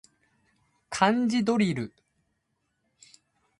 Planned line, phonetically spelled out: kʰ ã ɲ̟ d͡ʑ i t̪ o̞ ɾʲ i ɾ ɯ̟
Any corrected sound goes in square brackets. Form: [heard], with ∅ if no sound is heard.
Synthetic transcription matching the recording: kʰ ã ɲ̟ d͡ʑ i [d̪] o̞ ɾʲ i ɾ ɯ̟